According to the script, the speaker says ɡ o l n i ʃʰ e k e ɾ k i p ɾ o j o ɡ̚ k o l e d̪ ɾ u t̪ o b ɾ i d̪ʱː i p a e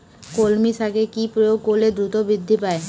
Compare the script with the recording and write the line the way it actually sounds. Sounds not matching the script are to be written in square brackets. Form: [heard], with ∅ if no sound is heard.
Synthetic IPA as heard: [k] o l [m] i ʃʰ [a] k e [∅] k i p ɾ o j o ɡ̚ k o l e d̪ ɾ u t̪ o b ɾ i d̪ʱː i p a e